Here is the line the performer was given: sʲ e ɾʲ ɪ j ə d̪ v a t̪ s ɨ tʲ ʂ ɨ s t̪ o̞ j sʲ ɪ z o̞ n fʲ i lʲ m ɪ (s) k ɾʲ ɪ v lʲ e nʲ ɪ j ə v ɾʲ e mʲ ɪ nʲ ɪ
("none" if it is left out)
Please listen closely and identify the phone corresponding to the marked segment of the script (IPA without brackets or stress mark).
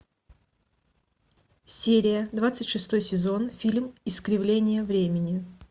s